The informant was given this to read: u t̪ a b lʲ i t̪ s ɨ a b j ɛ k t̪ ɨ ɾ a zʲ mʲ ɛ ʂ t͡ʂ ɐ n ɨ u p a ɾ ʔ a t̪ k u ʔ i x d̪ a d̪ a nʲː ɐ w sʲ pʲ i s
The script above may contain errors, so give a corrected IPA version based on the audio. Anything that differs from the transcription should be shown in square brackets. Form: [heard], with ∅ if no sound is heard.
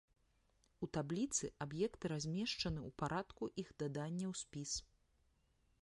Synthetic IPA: u t̪ a b lʲ i t̪ s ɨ a b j ɛ k t̪ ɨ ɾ a zʲ mʲ ɛ ʂ t͡ʂ ɐ n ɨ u p a ɾ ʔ a t̪ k u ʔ i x d̪ a d̪ a nʲː ɐ w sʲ pʲ i s